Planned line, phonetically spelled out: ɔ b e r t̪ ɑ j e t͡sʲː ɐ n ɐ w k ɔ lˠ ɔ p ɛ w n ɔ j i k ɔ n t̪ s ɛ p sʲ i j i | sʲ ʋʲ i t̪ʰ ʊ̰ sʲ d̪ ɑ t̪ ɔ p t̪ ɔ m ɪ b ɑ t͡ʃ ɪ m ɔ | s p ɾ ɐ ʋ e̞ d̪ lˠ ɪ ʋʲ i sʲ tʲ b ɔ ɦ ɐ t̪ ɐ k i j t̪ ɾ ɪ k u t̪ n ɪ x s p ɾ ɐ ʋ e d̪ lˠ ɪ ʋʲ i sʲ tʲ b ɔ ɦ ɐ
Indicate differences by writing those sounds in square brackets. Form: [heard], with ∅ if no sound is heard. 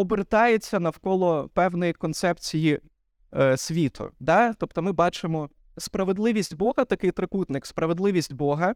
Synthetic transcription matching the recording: ɔ b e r t̪ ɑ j e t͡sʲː ɐ n ɐ w k ɔ lˠ ɔ p ɛ w n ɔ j i k ɔ n t̪ s ɛ p [t͡sʲ] i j i | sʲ ʋʲ i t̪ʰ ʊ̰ [∅] d̪ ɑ t̪ ɔ p t̪ ɔ m ɪ b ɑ t͡ʃ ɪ m ɔ | s p ɾ ɐ ʋ e̞ d̪ lˠ ɪ ʋʲ i sʲ tʲ b ɔ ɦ ɐ t̪ ɐ k [ɪ] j t̪ ɾ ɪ k u t̪ n ɪ [k] s p ɾ ɐ ʋ e d̪ lˠ ɪ ʋʲ i sʲ tʲ b ɔ ɦ ɐ